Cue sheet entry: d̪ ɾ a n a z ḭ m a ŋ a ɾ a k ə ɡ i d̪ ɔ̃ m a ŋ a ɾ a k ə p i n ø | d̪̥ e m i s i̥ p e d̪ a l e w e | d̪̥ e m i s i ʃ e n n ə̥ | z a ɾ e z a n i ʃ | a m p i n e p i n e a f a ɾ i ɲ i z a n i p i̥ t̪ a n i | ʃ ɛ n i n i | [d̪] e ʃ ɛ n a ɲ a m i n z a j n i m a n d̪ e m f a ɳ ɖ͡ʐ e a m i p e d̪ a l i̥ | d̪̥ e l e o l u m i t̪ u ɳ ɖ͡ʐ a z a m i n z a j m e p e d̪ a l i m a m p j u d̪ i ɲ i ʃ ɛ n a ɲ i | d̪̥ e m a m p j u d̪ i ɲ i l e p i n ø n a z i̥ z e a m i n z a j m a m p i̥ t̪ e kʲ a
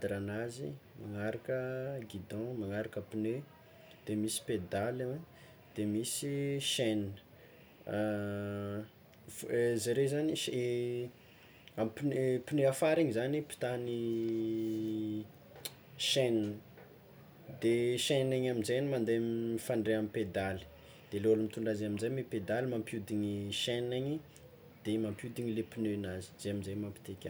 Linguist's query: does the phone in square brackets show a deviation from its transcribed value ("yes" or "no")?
no